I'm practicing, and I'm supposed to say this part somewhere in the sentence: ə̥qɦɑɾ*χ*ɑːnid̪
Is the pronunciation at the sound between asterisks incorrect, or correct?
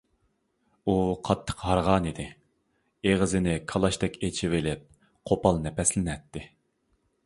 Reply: incorrect: ʁ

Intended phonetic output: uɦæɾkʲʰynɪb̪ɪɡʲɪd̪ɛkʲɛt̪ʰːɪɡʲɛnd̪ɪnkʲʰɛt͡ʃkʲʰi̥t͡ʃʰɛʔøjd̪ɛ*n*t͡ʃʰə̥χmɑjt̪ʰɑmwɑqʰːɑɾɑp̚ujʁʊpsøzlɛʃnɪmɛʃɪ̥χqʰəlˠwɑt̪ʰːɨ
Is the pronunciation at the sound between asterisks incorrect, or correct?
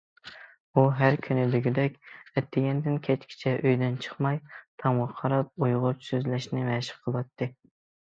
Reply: correct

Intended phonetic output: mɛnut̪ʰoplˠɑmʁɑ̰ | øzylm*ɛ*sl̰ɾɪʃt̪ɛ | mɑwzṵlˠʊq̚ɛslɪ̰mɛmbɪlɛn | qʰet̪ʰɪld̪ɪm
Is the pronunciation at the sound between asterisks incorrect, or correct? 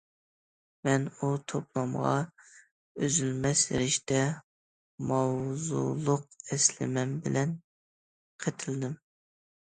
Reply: correct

